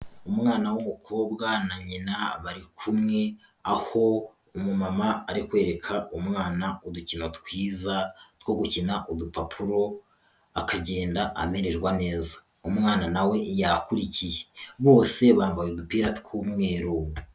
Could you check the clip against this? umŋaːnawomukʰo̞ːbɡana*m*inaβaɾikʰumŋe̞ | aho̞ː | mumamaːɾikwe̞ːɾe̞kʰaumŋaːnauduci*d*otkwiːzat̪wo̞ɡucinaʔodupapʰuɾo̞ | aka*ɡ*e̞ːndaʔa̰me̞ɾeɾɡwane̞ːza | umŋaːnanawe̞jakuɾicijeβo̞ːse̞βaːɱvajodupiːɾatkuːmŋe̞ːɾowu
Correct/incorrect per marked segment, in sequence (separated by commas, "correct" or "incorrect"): incorrect, incorrect, incorrect